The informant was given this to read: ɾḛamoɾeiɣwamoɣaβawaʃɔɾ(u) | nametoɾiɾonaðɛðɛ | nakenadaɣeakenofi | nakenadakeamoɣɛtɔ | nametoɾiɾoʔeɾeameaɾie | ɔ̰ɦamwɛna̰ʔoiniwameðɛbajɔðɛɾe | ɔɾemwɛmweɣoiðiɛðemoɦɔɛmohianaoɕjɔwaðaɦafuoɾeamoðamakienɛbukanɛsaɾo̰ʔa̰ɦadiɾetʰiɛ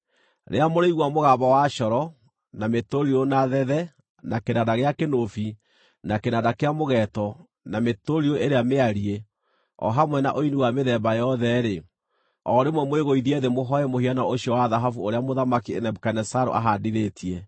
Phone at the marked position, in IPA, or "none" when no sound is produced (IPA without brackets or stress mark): ɔ